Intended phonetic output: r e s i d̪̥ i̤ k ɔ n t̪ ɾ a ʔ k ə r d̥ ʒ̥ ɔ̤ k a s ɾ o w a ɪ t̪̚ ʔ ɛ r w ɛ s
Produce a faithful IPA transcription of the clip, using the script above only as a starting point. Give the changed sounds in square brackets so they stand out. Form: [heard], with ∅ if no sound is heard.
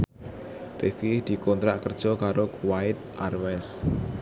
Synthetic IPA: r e [f] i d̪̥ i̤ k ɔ n t̪ ɾ a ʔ k ə r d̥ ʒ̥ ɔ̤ k a [∅] ɾ o w a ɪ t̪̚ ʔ [a] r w ɛ s